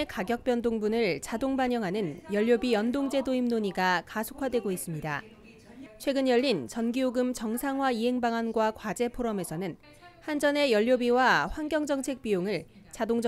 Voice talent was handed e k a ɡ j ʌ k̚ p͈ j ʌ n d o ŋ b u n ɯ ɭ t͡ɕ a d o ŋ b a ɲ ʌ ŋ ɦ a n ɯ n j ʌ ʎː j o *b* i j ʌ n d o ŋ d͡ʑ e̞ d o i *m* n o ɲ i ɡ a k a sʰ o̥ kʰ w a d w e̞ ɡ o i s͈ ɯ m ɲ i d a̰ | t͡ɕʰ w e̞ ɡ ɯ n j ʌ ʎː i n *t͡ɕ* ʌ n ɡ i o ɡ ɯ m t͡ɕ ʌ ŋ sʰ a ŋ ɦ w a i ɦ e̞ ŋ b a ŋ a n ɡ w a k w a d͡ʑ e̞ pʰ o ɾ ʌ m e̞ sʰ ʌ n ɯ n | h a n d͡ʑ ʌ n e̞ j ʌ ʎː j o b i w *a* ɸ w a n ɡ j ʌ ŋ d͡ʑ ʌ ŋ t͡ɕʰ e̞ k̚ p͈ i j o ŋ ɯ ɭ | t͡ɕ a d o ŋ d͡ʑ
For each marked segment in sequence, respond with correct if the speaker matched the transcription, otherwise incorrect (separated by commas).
correct, correct, correct, correct